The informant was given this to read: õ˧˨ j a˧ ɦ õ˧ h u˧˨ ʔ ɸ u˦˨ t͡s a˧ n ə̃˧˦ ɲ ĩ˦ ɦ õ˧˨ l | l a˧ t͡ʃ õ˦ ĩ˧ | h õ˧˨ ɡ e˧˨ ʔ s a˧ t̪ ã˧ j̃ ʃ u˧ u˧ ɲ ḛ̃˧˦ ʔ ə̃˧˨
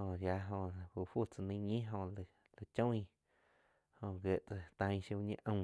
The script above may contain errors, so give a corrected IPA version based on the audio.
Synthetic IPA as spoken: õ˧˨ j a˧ ɦ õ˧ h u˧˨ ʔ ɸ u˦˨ t͡s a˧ n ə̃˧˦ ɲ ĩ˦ ɦ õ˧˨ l | l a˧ t͡ʃ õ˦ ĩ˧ | h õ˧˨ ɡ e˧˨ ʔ t͡s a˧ t̪ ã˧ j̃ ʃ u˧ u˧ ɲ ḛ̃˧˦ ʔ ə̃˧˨